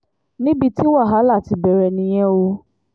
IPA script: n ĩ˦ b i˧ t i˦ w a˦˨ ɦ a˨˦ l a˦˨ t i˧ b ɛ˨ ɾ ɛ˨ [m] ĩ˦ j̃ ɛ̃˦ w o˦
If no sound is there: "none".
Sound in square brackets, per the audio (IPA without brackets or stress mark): n